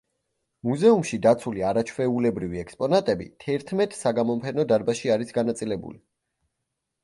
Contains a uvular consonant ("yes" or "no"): no